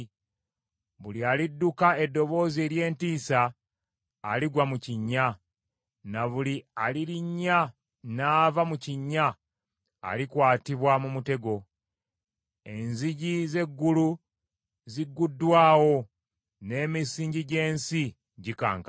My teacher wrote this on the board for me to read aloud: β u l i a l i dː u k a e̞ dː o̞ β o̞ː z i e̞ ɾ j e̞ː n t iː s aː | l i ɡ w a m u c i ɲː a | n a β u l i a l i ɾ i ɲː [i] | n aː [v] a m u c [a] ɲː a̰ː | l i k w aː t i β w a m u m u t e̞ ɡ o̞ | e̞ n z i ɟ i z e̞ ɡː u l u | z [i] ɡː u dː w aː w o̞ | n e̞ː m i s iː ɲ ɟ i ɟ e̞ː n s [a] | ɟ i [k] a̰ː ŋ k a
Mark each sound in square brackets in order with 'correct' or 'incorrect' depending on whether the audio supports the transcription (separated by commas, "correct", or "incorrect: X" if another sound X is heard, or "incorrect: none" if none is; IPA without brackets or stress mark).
incorrect: a, correct, incorrect: i, correct, incorrect: i, correct